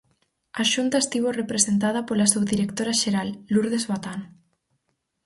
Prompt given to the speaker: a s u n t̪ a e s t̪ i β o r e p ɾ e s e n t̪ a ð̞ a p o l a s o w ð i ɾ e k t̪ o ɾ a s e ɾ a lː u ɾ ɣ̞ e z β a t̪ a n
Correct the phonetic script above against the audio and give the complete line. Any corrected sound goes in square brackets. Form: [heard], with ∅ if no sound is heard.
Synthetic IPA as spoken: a [ʃ] u n t̪ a e s t̪ i β o r e p ɾ e s e n t̪ a ð̞ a p o l a s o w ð i ɾ e k t̪ o ɾ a [ʃ] e ɾ a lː u ɾ [ð̞] e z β a t̪ a n